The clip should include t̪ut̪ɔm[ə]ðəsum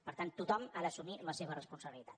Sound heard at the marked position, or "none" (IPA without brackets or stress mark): a